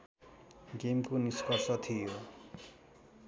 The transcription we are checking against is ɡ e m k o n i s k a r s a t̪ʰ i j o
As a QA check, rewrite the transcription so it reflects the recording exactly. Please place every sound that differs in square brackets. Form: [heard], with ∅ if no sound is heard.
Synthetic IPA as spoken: ɡ e m k o n i s k [ʌ] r s [ʌ] t̪ʰ i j o